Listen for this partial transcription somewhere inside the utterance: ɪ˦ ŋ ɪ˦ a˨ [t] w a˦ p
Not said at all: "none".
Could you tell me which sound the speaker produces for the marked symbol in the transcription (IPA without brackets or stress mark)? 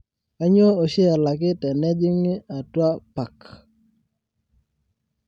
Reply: t